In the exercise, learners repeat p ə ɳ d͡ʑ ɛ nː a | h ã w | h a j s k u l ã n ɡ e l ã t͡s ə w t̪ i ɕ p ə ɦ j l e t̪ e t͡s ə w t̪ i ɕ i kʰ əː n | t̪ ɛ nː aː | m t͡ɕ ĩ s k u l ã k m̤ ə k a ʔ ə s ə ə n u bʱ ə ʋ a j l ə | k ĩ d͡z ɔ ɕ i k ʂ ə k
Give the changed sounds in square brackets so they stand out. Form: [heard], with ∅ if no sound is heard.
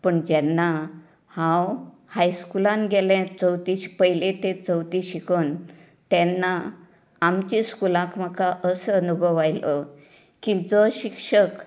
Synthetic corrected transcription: p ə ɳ d͡ʑ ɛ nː a | h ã w | h a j s k u l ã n ɡ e l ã t͡s ə w t̪ i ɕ p ə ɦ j l e t̪ e t͡s ə w t̪ i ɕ i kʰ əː n | t̪ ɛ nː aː | m t͡ɕ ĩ s k u l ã k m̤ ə k a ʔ ə s ə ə n u bʱ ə ʋ a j l ə | k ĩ d͡z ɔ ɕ i k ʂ ə k